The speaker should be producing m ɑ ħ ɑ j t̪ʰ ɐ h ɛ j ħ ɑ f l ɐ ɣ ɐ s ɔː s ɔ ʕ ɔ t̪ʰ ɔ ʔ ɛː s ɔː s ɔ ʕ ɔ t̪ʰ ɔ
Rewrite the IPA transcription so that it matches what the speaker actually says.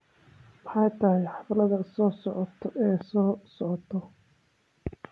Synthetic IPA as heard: m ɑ ħ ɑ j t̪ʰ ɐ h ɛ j ħ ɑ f l ɐ ð ɐ s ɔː s ɔ ʕ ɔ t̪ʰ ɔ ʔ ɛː s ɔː s ɔ ʕ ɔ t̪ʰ ɔ